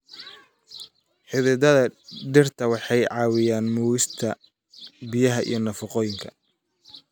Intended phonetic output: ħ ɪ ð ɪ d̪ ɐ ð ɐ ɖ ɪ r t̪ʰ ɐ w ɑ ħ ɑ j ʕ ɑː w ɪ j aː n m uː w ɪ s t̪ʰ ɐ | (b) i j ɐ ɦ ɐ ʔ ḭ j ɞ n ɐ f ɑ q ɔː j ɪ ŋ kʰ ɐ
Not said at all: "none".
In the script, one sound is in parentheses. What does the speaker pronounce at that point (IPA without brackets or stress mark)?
b